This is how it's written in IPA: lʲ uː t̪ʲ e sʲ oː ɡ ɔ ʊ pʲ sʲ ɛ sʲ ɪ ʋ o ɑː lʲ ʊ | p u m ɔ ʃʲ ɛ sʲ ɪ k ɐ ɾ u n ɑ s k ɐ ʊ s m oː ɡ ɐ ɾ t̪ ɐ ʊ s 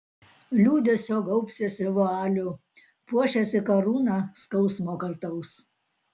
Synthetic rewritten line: lʲ uː d̪ʲ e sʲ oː ɡ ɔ ʊ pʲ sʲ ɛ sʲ ɪ ʋ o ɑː lʲ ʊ | p u ɔ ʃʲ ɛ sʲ ɪ k ɐ ɾ uː n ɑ s k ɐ ʊ s m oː k ɐ ɾ t̪ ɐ ʊ s